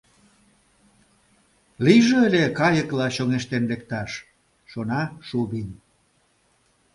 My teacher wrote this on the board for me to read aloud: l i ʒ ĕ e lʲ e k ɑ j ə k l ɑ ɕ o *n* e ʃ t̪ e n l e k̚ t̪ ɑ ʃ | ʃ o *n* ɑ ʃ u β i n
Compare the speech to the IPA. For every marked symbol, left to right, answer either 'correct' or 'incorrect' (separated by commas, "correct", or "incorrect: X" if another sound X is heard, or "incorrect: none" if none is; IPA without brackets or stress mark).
incorrect: ŋ, correct